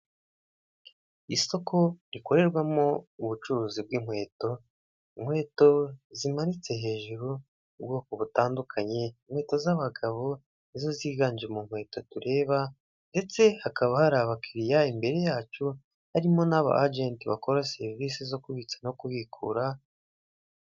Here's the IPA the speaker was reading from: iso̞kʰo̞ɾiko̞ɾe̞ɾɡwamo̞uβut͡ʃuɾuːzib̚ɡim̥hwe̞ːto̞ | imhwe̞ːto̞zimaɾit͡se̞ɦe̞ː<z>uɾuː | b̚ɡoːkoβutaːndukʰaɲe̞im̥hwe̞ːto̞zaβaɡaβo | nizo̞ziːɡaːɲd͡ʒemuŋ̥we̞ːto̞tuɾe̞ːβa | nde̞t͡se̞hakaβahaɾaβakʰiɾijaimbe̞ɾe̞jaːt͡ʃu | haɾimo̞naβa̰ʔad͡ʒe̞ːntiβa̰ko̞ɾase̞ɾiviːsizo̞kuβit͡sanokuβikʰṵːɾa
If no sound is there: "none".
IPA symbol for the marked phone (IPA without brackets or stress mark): ʒ